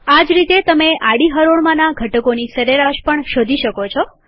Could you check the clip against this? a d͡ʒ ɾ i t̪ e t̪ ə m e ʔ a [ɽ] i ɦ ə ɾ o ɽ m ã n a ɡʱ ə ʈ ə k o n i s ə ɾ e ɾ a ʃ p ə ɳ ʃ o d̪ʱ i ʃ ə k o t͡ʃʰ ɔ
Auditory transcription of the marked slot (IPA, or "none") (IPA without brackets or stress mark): ɽ